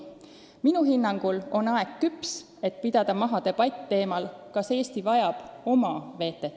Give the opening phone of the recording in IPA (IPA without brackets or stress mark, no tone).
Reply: m